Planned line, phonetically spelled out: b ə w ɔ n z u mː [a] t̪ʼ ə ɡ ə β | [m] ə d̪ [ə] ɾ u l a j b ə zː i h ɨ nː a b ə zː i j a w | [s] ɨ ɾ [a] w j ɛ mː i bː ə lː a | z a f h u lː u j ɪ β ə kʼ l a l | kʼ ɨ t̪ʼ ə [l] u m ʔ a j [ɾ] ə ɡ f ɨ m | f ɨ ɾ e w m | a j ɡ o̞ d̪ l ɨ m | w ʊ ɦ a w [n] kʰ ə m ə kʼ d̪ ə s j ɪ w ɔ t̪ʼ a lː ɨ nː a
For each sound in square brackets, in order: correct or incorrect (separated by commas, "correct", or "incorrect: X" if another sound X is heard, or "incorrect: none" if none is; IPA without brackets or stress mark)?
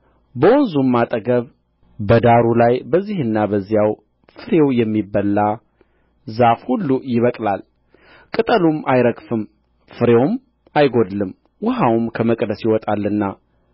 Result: correct, incorrect: b, incorrect: a, incorrect: f, incorrect: e, correct, correct, incorrect: m